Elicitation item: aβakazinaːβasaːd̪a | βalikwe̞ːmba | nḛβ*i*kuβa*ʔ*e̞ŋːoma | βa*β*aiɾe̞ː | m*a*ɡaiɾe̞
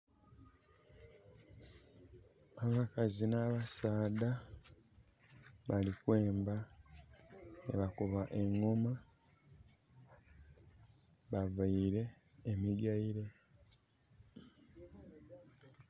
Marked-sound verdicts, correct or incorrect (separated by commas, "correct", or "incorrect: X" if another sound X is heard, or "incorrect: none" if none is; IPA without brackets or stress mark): incorrect: a, correct, incorrect: v, incorrect: i